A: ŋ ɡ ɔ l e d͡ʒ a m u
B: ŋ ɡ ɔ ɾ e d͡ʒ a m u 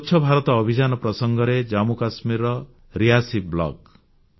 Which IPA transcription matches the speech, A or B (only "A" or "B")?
B